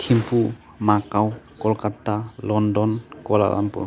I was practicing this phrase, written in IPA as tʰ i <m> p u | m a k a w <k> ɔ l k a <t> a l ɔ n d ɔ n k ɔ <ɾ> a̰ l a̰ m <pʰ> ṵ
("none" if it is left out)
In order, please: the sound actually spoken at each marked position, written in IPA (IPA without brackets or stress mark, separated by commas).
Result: m, k, t, l, p